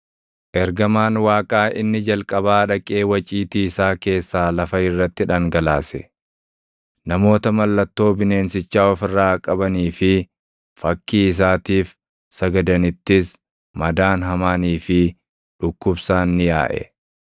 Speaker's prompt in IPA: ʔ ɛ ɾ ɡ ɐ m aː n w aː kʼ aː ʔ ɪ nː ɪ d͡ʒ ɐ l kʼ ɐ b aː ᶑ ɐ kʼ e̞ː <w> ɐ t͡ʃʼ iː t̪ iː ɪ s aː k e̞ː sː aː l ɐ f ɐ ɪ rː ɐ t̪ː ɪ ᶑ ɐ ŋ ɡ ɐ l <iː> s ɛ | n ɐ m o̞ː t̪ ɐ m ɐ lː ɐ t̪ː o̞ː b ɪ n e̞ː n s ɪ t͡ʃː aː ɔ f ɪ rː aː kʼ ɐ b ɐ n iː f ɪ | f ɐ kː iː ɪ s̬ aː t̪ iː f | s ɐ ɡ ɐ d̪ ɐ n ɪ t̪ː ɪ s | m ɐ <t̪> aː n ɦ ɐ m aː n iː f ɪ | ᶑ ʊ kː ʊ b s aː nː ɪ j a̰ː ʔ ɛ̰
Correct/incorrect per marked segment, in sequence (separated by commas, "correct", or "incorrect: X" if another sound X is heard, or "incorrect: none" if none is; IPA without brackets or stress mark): correct, incorrect: aː, incorrect: d̪